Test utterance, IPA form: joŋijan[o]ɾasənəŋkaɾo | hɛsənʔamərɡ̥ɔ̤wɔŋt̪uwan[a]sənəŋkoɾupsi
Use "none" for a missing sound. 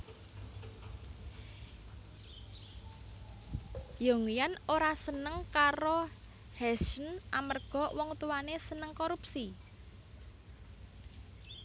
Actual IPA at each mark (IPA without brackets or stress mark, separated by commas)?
o, e